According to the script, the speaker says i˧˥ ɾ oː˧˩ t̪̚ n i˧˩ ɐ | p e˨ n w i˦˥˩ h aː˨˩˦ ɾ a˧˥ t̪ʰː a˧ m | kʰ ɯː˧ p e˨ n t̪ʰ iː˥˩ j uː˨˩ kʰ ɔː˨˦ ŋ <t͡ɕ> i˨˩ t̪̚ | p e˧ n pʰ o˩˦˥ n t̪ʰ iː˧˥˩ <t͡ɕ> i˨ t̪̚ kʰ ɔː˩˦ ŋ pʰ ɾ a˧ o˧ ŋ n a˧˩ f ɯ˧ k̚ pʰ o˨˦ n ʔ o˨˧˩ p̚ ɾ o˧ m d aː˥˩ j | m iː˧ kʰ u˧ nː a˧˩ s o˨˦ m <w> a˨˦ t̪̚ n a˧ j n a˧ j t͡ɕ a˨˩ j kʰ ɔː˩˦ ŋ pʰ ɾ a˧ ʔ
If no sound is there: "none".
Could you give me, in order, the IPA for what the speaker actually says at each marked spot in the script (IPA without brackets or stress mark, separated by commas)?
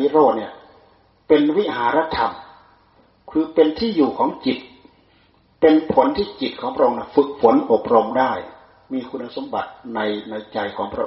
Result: t͡ɕ, t͡ɕ, b